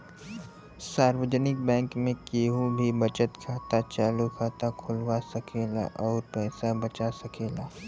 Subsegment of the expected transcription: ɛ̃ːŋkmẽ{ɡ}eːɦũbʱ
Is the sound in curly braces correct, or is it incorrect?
incorrect: k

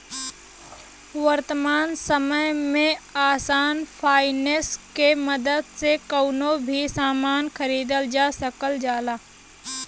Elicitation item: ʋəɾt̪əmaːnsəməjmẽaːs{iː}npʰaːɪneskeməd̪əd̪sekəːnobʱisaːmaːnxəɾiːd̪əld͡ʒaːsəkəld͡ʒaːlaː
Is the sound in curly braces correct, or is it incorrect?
incorrect: aː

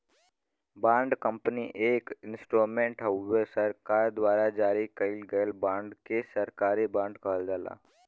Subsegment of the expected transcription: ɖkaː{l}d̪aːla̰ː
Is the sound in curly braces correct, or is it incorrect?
correct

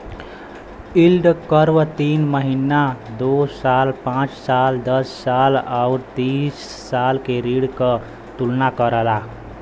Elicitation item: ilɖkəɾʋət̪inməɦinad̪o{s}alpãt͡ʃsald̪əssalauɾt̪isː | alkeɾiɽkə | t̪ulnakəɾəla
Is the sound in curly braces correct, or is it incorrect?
correct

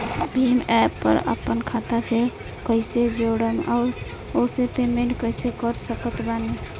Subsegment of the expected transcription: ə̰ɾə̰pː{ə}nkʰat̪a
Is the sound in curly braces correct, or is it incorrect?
correct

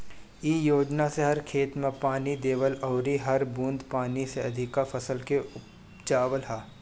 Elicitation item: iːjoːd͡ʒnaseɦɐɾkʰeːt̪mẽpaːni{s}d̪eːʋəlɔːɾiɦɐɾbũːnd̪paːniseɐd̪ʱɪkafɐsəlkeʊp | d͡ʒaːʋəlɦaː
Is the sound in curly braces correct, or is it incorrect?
incorrect: none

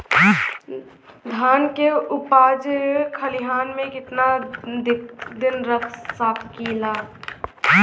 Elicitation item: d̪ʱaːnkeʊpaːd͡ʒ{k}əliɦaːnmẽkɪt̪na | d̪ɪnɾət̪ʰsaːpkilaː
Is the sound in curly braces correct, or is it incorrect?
incorrect: kʰ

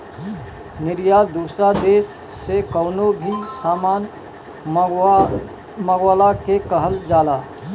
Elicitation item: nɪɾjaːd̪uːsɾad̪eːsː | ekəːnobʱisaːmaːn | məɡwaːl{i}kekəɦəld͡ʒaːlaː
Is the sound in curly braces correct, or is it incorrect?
incorrect: a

